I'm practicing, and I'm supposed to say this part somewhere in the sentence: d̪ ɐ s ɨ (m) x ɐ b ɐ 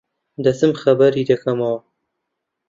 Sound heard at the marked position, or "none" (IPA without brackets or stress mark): m